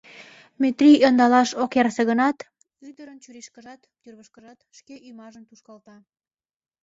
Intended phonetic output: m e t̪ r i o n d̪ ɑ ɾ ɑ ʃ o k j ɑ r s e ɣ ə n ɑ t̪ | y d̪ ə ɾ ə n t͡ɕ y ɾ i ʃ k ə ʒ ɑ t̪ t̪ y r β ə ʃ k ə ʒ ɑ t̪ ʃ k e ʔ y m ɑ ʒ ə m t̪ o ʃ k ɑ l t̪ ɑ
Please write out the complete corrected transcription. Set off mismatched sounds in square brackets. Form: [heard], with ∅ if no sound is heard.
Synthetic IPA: m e t̪ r i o n d̪ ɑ [l] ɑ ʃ o k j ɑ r s e ɣ ə n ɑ t̪ | y d̪ ə ɾ ə n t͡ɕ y ɾ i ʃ k ə ʒ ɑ t̪ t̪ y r β ə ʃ k ə ʒ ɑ t̪ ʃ k e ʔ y m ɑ ʒ ə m t̪ [u] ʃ k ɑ l t̪ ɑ